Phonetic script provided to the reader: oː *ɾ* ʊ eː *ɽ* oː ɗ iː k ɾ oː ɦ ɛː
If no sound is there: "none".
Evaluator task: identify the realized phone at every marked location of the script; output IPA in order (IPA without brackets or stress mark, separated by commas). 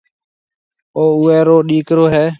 none, ɾ